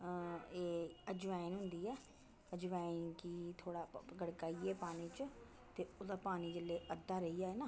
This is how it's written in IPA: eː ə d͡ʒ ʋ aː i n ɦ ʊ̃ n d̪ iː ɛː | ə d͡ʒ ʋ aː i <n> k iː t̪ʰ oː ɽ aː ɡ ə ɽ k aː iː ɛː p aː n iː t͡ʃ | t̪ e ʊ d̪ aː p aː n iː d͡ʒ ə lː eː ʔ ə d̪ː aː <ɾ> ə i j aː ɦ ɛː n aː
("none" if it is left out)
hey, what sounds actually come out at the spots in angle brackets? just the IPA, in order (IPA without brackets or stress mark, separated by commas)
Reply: n, ɾ